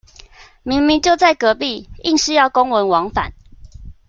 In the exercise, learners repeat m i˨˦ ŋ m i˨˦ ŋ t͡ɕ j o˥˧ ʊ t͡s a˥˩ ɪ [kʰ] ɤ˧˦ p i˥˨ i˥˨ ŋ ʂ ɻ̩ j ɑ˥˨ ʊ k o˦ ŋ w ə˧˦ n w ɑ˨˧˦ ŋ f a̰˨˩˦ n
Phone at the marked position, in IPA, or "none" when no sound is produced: k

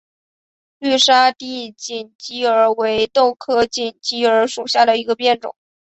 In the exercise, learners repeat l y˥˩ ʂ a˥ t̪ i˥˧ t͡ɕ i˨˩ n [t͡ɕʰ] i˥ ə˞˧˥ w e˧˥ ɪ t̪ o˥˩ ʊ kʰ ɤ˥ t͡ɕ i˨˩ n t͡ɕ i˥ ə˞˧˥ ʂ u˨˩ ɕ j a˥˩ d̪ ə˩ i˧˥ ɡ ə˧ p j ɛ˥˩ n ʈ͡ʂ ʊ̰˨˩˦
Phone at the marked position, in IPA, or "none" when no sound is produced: t͡ɕ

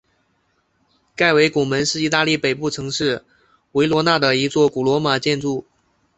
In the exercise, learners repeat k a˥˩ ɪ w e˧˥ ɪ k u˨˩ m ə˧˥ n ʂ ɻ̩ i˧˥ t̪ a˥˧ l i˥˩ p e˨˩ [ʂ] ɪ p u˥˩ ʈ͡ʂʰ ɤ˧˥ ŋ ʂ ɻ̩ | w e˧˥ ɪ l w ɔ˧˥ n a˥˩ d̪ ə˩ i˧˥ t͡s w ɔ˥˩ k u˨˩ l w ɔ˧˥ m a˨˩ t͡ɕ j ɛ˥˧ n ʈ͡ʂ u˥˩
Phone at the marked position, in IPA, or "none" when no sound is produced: none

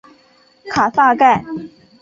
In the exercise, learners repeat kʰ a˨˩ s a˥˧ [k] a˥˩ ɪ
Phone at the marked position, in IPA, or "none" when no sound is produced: k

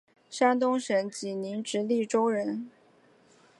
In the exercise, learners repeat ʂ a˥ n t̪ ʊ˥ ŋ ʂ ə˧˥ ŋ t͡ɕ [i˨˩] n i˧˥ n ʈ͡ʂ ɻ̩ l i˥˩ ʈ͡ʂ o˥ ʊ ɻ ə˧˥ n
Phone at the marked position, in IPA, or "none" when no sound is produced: i˨˩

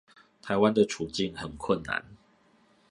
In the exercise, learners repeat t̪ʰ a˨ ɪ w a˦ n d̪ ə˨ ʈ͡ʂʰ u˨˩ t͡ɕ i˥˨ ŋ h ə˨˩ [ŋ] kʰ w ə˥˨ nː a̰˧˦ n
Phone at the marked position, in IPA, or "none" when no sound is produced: n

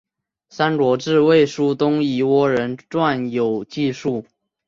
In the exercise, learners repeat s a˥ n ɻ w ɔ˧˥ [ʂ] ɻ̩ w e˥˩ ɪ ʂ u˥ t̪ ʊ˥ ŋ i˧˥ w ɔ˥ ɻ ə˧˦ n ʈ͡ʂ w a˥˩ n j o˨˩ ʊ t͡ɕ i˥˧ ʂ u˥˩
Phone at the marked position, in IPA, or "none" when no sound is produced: ʈ͡ʂ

